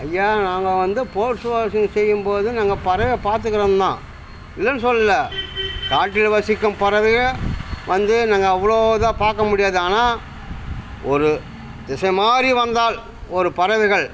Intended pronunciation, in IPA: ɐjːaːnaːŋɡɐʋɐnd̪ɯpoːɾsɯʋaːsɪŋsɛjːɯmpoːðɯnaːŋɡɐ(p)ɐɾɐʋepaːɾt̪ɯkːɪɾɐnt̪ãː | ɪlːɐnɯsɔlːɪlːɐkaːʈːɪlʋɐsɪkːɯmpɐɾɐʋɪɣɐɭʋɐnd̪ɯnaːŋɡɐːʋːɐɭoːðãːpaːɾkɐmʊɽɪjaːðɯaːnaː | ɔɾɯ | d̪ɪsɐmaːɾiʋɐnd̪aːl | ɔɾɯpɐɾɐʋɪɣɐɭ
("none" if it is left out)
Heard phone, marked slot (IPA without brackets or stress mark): p